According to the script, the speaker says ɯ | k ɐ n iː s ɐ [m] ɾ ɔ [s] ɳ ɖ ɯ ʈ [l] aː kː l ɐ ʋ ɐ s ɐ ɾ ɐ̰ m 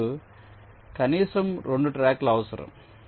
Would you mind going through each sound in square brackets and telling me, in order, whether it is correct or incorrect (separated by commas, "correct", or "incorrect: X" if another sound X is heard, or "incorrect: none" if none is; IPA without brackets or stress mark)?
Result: correct, incorrect: none, incorrect: ɾ